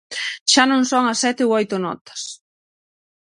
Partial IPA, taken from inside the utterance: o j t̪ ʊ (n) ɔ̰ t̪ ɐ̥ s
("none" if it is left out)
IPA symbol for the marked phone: n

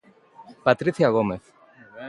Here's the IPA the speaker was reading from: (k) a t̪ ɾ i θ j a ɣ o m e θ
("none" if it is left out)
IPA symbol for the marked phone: p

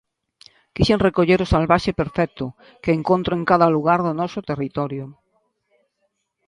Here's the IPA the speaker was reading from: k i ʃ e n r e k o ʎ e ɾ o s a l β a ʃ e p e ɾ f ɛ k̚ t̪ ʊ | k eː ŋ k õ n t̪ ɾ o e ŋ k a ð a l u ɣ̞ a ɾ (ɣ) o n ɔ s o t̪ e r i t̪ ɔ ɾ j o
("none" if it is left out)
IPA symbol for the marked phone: ð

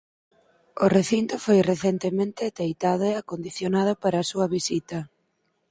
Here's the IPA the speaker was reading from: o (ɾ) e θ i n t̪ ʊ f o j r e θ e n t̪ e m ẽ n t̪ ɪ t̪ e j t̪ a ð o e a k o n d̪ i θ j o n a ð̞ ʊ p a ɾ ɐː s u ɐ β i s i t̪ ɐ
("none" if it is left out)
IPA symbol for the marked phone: r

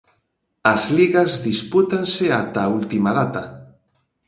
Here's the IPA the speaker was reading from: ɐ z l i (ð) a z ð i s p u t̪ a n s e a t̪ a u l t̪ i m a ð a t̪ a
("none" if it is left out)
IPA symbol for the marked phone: ɣ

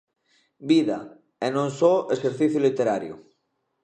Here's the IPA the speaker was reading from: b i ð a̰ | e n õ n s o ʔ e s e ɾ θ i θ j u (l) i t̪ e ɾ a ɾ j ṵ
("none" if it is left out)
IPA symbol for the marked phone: l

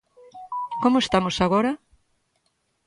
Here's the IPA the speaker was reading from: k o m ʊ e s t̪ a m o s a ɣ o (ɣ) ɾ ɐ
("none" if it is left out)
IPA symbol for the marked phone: none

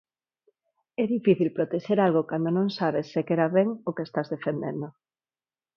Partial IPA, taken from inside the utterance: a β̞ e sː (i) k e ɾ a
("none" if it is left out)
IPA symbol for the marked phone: e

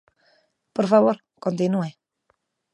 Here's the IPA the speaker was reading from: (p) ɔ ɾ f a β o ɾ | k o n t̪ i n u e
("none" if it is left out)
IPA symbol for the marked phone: p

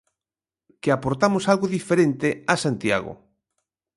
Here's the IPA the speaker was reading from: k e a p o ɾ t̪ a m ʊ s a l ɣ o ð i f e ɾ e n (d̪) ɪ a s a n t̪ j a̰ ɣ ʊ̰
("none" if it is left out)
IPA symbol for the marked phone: t̪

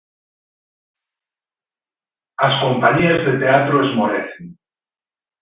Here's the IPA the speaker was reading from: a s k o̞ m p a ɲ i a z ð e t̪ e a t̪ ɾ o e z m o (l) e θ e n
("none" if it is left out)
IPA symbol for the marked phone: ɾ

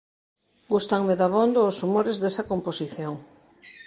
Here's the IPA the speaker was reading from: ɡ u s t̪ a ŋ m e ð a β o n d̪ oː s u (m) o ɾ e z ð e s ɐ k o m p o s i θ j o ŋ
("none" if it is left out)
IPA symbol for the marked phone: m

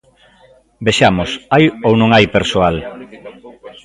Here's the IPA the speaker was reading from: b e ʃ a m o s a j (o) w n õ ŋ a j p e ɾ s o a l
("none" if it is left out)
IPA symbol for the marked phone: o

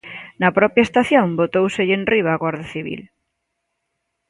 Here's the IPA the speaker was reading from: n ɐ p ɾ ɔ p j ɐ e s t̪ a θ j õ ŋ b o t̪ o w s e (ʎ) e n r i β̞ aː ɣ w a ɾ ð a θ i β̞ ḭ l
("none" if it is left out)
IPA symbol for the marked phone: ʎ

